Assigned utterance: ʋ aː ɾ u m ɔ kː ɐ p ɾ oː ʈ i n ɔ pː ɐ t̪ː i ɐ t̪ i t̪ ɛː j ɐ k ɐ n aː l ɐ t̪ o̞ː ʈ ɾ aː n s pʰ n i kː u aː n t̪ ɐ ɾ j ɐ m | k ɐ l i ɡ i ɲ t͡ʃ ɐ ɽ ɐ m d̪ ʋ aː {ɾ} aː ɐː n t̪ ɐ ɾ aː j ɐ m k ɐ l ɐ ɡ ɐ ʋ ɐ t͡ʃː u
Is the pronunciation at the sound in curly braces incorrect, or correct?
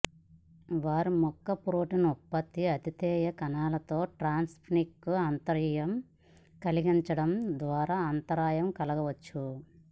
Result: correct